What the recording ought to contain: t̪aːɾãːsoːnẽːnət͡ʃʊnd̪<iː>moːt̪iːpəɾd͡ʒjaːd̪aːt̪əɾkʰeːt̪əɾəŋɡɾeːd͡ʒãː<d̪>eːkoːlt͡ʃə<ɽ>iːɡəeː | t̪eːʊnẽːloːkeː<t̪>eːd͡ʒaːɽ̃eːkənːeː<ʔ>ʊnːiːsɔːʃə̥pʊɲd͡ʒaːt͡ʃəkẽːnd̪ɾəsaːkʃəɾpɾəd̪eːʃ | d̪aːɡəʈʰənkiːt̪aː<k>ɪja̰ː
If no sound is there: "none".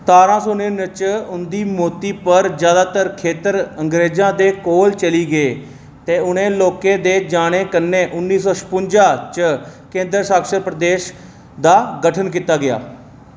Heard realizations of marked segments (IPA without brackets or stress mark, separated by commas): iː, d̪, l, d̪, ʔ, ɡ